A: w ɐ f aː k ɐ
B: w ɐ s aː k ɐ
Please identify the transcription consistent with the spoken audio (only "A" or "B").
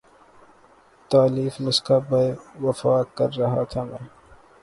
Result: A